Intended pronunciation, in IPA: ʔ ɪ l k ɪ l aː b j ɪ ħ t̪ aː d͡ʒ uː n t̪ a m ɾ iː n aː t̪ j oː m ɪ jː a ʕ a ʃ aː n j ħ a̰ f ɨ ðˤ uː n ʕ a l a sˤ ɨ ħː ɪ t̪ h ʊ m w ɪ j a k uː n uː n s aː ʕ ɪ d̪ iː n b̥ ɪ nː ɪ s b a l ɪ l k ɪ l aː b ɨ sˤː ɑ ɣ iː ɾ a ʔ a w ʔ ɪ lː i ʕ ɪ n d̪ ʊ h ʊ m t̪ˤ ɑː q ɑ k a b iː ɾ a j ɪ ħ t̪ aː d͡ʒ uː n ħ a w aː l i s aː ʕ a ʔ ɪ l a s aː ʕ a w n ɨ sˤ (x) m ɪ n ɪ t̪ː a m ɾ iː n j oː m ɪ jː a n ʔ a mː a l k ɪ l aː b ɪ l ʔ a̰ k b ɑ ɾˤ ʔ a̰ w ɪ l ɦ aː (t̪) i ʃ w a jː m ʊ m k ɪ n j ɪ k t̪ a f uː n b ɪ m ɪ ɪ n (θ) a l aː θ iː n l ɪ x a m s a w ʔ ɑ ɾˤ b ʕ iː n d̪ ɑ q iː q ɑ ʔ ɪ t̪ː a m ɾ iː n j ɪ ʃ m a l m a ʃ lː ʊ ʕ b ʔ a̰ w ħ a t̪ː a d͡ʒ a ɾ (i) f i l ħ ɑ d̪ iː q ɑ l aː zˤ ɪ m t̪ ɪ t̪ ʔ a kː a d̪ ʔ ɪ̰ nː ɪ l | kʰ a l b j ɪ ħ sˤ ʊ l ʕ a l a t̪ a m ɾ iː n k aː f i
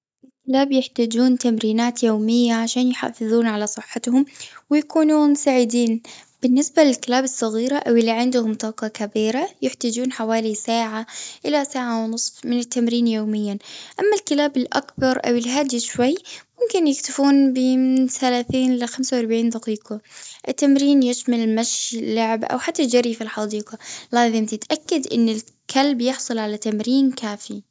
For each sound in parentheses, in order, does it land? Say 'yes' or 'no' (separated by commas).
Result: no, no, yes, yes